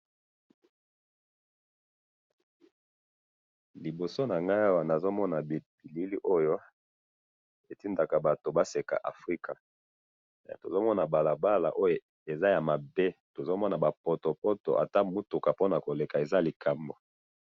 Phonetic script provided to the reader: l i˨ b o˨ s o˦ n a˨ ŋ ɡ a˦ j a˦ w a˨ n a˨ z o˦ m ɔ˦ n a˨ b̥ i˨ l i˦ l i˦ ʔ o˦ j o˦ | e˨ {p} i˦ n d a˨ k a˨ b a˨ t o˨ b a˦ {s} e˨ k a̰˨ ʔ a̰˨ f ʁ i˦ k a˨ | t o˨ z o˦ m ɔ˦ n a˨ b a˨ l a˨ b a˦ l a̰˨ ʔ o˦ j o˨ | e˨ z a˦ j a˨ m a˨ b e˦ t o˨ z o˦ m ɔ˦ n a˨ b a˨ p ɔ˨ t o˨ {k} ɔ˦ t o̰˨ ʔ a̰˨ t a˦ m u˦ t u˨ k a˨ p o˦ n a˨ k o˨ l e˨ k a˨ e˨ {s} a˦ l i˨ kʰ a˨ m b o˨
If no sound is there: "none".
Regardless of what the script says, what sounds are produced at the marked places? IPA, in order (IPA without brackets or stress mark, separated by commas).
t, s, p, z